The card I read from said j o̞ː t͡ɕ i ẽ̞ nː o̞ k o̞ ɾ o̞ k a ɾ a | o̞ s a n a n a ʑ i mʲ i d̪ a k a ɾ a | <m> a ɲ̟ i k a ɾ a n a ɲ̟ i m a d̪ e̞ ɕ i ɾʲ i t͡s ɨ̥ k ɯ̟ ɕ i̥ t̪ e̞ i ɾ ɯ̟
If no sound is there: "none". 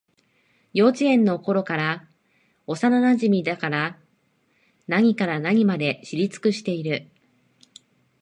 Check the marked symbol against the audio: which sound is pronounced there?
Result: n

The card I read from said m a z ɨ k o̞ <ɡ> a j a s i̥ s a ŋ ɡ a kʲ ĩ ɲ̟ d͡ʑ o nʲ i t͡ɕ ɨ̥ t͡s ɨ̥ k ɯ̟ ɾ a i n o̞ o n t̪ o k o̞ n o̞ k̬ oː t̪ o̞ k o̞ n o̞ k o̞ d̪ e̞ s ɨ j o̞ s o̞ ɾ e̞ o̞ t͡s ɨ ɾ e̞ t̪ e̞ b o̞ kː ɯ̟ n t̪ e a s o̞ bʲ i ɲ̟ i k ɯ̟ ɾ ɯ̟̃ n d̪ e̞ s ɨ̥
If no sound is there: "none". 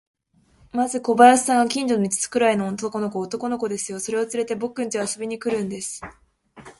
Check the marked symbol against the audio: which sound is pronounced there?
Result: b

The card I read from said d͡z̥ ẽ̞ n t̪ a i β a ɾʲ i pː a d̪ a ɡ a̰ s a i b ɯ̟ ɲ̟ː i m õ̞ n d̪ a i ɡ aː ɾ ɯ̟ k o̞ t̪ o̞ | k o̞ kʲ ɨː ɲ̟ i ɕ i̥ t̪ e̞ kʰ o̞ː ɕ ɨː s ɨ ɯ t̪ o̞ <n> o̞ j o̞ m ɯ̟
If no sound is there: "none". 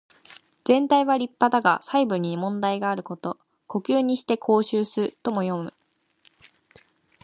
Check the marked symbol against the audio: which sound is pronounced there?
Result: m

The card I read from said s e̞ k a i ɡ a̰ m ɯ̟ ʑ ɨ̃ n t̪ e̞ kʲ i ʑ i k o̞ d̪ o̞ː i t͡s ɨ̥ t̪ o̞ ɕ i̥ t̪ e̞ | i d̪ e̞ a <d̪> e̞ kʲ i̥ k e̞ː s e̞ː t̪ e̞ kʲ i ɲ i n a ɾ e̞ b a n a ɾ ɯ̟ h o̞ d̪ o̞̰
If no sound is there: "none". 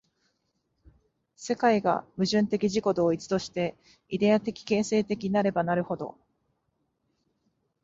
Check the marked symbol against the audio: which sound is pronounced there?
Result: t̪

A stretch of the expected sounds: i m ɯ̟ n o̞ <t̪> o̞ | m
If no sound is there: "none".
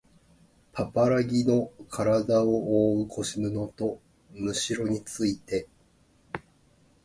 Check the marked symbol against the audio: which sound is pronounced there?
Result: t̪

